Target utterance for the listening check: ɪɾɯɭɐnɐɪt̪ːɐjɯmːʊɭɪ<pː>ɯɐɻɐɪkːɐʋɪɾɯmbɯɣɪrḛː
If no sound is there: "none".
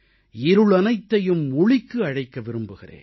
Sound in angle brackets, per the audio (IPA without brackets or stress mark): kː